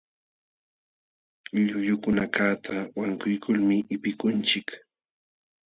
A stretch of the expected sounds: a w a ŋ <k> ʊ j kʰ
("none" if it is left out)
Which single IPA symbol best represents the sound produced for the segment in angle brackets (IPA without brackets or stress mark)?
k